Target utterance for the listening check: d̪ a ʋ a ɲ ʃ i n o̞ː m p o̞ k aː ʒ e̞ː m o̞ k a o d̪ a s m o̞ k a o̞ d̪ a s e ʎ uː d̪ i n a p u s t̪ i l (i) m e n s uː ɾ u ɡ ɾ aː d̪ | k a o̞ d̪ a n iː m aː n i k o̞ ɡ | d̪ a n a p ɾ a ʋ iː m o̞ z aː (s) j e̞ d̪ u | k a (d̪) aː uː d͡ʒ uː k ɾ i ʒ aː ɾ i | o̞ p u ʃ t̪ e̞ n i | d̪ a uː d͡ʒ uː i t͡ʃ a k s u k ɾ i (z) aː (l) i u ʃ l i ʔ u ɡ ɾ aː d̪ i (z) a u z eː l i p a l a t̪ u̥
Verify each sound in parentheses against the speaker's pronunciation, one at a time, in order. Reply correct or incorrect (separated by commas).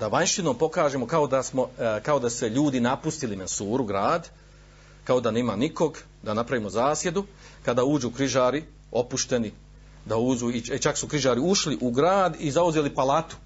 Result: correct, correct, correct, incorrect, incorrect, correct